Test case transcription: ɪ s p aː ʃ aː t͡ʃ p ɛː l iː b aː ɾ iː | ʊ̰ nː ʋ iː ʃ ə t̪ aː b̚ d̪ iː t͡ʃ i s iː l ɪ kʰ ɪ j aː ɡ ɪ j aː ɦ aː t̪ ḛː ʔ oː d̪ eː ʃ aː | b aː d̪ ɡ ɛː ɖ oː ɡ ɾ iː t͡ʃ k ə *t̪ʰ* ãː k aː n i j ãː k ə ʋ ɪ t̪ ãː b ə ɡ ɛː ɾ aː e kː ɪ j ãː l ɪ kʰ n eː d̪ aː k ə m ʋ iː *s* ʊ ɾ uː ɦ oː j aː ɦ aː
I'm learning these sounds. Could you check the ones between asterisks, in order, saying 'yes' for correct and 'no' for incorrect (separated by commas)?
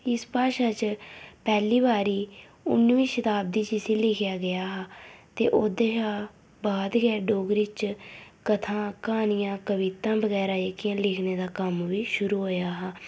yes, no